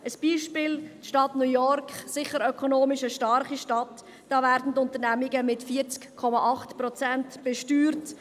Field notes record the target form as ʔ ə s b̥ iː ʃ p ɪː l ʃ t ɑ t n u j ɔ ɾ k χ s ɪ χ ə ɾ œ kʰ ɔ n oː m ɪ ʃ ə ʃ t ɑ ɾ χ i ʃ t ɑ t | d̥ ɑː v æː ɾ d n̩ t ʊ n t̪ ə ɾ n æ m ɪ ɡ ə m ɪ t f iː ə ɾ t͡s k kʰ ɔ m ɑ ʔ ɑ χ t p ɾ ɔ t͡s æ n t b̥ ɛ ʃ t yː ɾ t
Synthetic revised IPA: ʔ ə s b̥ iː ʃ p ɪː l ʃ t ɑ t n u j ɔ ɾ k χ s ɪ χ ə ɾ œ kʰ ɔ n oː m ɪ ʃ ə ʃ t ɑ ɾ χ i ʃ t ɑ t | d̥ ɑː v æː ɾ d n̩ t ʊ n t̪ ə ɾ n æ m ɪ ɡ ə m ɪ t f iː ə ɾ t͡s k kʰ ɔ m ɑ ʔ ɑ χ t p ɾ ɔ t͡s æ n t b̥ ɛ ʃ t yː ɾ t